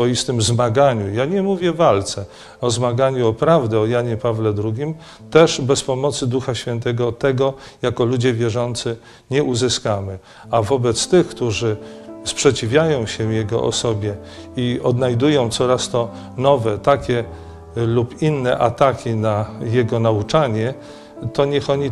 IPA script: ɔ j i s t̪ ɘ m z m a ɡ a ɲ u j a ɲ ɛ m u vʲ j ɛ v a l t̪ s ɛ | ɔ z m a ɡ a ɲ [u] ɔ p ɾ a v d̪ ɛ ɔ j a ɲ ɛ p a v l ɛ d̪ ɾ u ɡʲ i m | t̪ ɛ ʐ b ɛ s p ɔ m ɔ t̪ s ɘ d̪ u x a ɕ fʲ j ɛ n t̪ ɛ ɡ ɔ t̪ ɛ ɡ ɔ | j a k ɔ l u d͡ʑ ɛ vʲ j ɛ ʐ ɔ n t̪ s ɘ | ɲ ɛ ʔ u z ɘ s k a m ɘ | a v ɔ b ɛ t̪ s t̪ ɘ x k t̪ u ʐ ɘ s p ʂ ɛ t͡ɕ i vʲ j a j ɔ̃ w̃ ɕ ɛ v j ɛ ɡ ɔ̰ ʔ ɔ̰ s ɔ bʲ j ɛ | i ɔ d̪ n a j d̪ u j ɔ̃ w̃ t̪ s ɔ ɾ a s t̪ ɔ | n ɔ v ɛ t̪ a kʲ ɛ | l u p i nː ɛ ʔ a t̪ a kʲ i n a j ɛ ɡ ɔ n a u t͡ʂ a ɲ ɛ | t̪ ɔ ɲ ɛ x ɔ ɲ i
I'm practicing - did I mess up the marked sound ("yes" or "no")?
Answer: no